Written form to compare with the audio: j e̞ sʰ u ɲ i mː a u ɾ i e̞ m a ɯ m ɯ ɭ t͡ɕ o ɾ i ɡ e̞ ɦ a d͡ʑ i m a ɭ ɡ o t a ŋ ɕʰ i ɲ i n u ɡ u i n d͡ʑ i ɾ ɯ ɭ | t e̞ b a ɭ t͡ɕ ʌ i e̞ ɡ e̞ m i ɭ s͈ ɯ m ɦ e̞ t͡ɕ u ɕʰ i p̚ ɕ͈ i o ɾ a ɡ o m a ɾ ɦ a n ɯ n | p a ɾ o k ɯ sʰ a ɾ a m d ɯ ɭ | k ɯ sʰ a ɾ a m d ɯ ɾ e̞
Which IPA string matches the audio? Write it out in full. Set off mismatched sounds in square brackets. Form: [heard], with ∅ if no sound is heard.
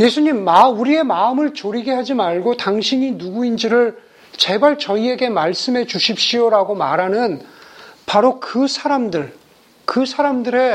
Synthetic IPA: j e̞ sʰ u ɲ i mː a u ɾ i e̞ m a ɯ m ɯ ɭ t͡ɕ o ɾ i ɡ e̞ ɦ a d͡ʑ i m a ɭ ɡ o t a ŋ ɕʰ i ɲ i n u ɡ u i n d͡ʑ i ɾ ɯ ɭ | [t͡ɕ] e̞ b a ɭ t͡ɕ ʌ i e̞ ɡ e̞ m [a] ɭ s͈ ɯ m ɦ e̞ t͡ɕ u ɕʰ i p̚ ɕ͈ i o ɾ a ɡ o m a ɾ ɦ a n ɯ n | p a ɾ o k ɯ sʰ a ɾ a m d ɯ ɭ | k ɯ sʰ a ɾ a m d ɯ ɾ e̞